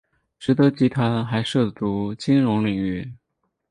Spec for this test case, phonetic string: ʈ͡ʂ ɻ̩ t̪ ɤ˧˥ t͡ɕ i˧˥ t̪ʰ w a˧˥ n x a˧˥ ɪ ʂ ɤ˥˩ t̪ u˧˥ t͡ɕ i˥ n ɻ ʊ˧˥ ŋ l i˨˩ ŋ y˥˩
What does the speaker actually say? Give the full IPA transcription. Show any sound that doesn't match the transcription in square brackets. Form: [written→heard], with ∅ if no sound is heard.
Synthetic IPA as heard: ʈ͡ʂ ɻ̩ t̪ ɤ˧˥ t͡ɕ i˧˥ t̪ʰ w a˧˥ n x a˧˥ ɪ ʂ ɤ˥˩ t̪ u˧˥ t͡ɕ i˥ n ɻ ʊ˧˥ ŋ l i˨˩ ŋ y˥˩